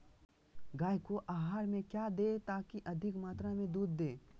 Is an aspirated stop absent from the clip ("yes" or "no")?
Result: yes